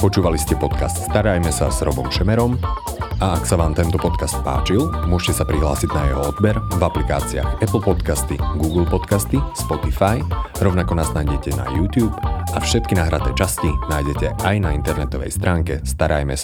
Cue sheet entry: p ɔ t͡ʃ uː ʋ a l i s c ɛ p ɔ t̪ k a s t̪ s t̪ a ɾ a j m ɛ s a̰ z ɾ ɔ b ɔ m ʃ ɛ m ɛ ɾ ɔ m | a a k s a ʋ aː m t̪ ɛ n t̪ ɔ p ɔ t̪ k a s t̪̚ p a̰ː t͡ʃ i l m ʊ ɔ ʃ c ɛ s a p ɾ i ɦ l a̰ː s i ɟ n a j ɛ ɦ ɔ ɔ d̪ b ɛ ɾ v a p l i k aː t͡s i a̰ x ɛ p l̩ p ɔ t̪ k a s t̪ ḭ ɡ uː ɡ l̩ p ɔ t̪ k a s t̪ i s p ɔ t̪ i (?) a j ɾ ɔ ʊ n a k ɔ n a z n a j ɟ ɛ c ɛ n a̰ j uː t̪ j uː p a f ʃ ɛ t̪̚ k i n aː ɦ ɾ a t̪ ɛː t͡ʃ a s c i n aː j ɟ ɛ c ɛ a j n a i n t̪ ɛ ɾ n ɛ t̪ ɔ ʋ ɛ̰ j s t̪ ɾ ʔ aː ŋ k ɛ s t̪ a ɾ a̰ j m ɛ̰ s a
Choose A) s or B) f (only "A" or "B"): B